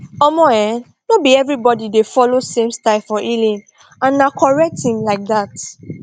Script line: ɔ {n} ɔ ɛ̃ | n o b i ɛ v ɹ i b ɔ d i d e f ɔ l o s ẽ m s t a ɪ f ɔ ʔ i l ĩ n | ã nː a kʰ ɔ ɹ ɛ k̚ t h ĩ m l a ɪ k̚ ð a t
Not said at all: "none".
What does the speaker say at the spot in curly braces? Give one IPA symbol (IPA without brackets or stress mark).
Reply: m